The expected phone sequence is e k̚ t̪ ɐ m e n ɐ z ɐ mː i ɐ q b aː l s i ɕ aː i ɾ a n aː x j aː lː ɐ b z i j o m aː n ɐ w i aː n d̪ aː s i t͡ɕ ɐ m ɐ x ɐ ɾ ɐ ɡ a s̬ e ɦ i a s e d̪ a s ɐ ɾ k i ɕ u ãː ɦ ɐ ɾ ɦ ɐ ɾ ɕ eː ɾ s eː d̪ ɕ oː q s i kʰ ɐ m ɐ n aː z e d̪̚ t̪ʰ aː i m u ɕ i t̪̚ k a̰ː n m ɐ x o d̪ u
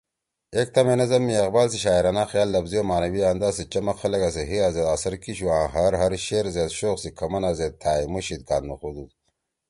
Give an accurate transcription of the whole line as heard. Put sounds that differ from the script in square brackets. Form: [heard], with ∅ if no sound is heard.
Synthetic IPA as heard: e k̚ t̪ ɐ m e n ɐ z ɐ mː i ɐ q b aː l s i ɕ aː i ɾ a n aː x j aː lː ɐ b z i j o m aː n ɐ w i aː n d̪ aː s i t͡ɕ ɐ m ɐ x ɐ [l] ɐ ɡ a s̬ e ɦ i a [z] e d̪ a s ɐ ɾ k i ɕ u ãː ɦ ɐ ɾ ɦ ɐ ɾ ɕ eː ɾ [z] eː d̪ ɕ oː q s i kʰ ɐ m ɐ n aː z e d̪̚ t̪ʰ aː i m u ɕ i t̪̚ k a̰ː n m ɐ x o d̪ u